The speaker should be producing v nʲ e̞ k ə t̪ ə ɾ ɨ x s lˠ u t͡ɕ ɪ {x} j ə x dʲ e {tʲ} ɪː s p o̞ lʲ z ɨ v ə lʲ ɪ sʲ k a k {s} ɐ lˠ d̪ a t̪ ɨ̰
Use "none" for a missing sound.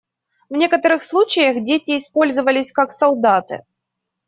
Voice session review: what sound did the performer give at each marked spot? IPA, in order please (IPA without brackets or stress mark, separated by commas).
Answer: none, tʲ, s